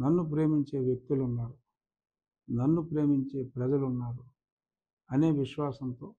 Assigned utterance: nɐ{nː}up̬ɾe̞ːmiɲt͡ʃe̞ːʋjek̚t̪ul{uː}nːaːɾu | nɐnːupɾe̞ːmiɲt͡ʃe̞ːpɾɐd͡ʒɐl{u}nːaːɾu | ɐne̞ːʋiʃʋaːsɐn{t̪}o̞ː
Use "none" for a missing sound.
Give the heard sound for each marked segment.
nː, u, u, t̪

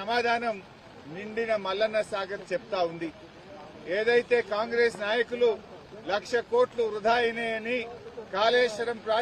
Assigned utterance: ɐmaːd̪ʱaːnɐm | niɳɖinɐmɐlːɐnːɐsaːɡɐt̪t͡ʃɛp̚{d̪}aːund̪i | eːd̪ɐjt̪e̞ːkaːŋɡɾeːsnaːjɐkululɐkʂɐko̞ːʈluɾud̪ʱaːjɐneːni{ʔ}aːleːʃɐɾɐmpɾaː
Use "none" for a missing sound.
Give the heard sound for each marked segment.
t̪, k

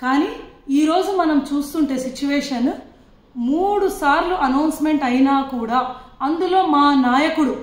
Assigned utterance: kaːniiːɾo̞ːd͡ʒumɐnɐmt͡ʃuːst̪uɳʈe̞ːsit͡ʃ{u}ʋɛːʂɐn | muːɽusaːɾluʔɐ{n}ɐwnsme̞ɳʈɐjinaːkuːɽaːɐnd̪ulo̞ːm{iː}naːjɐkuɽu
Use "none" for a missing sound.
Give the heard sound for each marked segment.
u, n, aː

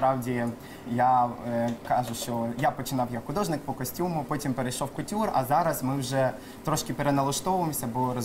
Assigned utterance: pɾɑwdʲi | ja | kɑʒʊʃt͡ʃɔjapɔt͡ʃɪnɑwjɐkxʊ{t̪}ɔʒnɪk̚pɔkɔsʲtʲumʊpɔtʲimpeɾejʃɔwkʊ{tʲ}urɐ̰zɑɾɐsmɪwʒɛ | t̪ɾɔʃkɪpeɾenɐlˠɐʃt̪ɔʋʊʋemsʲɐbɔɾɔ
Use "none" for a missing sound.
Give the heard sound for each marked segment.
d̪, tʲ

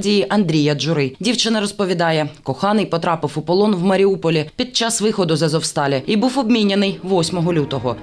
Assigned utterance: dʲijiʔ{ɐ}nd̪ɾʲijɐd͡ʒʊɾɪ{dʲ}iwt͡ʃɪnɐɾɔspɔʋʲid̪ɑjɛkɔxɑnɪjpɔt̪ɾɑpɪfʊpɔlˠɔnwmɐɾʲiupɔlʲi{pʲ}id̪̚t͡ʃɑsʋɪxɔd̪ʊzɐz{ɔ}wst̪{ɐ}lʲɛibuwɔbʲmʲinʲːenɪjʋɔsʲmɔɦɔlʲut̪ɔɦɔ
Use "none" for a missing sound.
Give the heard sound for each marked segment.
ɐ, dʲ, pʲ, ɔ, ɑ

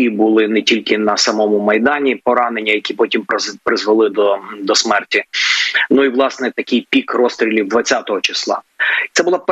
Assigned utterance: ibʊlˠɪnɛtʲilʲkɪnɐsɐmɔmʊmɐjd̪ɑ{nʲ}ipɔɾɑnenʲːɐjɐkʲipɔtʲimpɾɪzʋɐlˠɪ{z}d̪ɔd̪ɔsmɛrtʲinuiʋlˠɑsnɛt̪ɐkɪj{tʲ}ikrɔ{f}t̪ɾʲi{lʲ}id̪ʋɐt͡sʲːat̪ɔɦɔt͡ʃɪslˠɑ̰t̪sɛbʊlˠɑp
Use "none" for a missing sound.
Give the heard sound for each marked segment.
nʲ, none, pʲ, s, lʲ

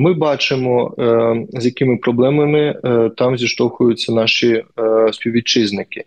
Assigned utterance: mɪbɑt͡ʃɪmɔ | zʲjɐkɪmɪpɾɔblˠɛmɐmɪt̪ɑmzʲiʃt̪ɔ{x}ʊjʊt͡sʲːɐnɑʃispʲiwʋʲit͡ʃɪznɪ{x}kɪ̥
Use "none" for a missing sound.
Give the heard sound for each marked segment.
x, none

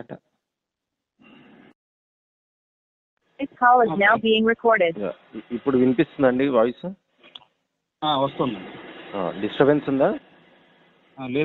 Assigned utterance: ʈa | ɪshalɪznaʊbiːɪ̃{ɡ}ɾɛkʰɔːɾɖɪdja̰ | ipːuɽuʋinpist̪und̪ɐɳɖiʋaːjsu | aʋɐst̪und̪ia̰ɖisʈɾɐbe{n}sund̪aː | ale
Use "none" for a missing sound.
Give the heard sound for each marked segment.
ŋ, n

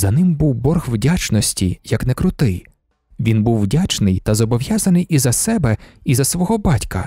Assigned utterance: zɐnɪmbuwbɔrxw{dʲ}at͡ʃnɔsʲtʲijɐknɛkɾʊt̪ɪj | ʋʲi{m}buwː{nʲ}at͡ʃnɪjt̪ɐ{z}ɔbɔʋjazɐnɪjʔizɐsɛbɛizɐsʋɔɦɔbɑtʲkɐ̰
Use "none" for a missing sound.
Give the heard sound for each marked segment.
dʲ, n, dʲ, z

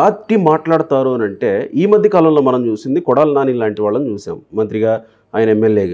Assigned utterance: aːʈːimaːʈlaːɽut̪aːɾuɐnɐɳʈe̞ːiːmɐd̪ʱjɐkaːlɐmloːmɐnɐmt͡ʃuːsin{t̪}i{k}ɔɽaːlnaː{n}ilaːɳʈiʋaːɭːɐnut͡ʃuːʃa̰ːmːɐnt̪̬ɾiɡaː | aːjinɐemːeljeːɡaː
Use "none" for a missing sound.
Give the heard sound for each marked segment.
d̪, k, n

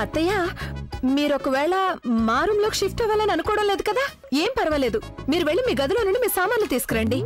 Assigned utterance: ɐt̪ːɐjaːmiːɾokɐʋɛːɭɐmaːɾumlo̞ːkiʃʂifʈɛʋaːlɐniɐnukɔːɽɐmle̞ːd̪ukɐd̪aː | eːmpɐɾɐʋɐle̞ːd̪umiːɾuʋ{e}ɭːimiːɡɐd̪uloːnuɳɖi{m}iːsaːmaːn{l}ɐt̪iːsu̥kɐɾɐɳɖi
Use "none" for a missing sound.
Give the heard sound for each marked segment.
e, m, l

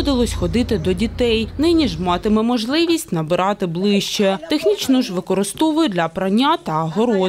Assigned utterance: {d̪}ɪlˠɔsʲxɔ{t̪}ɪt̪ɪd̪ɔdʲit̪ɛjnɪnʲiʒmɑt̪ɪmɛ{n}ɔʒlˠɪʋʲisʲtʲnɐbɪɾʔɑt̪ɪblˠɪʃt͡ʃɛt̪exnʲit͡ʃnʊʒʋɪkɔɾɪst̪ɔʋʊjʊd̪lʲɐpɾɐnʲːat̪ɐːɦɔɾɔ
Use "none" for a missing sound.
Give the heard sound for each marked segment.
d̪, d̪, m

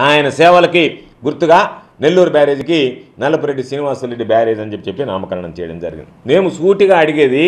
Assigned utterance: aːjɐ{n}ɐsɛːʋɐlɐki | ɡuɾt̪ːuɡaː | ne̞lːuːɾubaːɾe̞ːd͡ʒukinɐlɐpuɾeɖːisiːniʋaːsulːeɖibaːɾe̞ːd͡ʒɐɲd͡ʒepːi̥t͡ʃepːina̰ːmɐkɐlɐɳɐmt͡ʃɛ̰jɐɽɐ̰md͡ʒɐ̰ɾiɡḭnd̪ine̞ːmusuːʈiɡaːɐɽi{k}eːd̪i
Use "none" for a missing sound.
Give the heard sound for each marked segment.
n, ɡ

